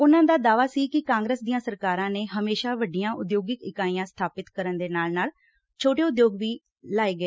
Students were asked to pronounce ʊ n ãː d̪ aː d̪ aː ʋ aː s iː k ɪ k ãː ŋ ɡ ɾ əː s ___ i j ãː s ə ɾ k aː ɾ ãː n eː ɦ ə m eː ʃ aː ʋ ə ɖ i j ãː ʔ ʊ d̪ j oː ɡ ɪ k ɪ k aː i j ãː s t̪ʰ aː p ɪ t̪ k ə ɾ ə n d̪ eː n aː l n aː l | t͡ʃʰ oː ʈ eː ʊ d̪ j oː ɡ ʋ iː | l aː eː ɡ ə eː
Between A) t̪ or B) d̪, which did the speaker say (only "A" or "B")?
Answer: B